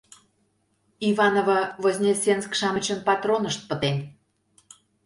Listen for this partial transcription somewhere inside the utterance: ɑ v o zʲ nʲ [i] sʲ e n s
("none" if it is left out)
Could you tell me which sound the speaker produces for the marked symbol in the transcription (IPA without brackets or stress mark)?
e